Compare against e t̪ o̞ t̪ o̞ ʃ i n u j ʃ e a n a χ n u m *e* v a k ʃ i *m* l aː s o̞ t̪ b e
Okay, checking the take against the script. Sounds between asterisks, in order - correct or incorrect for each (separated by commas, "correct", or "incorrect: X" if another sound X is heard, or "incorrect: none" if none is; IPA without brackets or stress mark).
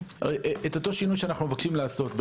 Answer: correct, correct